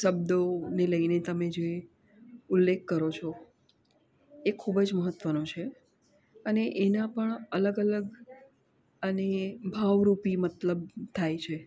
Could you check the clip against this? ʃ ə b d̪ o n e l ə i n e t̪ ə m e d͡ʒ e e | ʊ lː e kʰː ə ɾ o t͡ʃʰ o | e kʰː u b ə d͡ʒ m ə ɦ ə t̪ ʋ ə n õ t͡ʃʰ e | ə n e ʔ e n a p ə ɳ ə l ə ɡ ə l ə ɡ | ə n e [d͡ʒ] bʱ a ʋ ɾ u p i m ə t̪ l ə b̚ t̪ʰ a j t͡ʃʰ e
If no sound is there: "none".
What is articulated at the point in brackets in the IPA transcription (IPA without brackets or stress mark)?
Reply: none